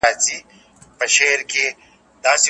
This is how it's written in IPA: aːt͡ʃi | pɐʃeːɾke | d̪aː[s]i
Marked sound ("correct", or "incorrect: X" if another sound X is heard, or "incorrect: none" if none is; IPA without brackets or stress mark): correct